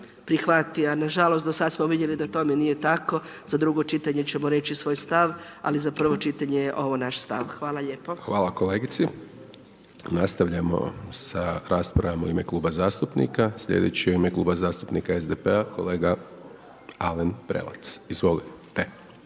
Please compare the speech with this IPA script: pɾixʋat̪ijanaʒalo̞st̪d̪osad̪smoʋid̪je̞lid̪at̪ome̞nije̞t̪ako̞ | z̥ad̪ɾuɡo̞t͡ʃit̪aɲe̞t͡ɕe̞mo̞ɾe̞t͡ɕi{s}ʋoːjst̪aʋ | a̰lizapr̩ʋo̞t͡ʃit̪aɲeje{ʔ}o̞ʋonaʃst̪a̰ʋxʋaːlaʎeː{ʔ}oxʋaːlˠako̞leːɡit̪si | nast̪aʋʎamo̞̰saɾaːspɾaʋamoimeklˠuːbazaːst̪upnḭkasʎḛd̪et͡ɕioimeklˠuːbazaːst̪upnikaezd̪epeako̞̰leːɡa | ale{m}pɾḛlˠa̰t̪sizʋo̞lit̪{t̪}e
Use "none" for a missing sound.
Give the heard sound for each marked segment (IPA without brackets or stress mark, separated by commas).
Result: s, ʔ, p, n, t̪